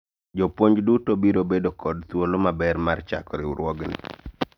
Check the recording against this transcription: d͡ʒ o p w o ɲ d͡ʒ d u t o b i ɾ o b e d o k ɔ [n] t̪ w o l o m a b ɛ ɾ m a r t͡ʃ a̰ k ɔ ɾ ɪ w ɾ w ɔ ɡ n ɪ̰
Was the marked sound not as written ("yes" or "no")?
yes